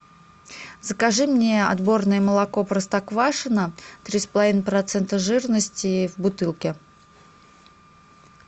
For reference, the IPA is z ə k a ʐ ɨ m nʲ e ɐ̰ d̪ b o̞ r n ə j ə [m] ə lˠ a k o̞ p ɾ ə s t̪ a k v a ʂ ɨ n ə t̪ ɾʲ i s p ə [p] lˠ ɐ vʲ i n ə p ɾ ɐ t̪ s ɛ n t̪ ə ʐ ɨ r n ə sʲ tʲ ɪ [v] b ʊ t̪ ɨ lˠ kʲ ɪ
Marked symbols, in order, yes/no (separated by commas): yes, no, yes